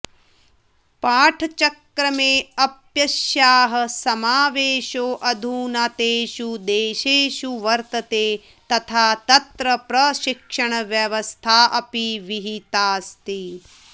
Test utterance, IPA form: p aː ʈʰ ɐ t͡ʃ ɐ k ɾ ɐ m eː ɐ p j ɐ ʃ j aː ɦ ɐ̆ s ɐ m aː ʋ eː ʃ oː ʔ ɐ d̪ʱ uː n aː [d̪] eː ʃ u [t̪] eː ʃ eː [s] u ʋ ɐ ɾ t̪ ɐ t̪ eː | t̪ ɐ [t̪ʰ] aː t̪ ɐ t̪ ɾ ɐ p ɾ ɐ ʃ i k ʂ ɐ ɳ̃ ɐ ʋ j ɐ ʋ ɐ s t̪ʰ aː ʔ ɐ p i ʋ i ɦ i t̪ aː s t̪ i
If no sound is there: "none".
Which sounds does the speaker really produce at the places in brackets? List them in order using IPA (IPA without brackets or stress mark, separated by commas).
t̪, d̪, ʃ, t̪ʰ